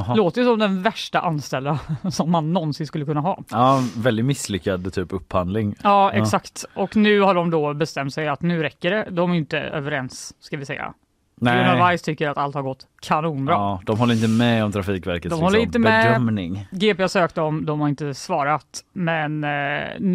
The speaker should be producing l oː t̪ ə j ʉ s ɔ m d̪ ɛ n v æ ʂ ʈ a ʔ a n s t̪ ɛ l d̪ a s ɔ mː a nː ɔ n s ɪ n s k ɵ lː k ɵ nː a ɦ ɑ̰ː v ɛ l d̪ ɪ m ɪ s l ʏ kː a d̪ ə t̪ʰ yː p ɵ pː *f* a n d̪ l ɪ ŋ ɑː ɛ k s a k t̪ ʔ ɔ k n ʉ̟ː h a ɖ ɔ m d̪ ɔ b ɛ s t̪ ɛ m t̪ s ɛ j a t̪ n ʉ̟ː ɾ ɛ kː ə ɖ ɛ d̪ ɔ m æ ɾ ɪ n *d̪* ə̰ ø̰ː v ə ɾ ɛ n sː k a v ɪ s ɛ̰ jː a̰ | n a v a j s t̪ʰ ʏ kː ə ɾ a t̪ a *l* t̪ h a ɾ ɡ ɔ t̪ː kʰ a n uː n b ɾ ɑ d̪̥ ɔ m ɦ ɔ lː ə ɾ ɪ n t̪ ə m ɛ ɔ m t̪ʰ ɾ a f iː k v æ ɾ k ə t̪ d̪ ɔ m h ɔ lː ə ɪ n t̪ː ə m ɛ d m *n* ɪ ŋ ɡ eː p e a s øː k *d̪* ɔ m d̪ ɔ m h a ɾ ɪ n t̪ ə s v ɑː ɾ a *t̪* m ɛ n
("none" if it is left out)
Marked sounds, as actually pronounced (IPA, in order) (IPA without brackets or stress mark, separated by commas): h, t̪, l, n, t̪, t̪